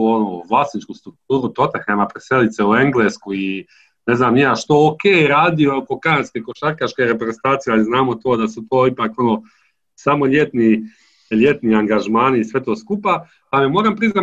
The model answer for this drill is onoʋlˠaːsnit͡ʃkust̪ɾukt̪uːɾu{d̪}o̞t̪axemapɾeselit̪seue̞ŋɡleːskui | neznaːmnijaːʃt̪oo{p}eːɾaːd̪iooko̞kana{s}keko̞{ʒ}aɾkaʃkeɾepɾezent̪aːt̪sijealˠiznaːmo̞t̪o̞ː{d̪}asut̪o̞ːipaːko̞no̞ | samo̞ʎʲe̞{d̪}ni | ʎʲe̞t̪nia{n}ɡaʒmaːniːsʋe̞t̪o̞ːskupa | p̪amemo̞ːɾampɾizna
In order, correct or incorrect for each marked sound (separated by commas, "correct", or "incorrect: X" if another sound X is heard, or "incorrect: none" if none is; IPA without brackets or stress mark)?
incorrect: t̪, incorrect: k, correct, incorrect: ʃ, correct, incorrect: t̪, incorrect: ŋ